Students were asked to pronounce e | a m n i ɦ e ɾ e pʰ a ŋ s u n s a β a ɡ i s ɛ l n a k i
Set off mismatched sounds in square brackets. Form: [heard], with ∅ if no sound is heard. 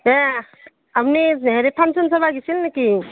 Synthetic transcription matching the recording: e | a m n i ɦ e ɾ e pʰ a [n] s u n s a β a ɡ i s [i] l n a k i